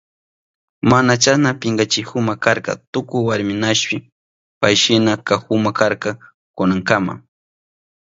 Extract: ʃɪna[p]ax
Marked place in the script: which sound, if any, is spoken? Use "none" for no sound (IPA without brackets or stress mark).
k